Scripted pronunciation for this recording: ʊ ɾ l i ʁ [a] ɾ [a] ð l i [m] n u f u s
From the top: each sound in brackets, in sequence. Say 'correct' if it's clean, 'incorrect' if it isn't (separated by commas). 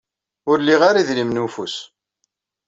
correct, incorrect, correct